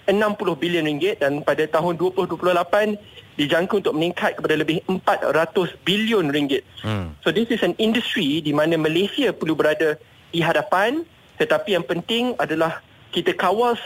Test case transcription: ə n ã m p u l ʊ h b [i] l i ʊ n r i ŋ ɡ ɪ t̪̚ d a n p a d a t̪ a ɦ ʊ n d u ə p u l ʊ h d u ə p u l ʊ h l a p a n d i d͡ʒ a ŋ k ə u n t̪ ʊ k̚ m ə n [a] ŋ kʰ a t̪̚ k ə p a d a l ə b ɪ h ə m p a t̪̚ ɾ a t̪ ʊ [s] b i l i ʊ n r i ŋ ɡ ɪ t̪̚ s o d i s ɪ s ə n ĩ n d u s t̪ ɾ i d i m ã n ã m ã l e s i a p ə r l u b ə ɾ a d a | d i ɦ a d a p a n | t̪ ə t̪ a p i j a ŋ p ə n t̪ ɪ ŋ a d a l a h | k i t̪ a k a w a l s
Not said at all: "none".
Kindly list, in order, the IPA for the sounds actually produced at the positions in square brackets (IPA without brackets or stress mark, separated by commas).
i, i, s